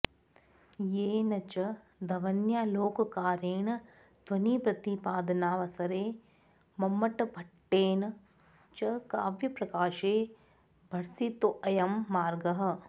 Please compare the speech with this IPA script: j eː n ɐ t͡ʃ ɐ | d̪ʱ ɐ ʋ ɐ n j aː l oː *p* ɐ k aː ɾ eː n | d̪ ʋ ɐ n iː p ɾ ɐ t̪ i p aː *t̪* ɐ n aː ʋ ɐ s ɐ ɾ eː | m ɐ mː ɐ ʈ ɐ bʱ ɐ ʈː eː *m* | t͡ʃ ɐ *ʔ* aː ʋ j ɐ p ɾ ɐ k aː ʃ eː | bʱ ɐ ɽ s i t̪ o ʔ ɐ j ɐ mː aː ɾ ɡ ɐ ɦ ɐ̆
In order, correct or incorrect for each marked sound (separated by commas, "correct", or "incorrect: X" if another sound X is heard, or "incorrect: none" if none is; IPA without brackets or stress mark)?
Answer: incorrect: k, incorrect: d̪, incorrect: n, incorrect: k